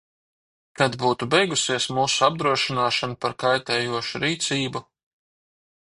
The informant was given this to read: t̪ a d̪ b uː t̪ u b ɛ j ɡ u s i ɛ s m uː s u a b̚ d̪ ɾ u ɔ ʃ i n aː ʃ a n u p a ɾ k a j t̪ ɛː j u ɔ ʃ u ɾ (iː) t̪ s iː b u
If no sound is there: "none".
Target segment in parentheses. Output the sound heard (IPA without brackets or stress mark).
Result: iː